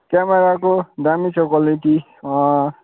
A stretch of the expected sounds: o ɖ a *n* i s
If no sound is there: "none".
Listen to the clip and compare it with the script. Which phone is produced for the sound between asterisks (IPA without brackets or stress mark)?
m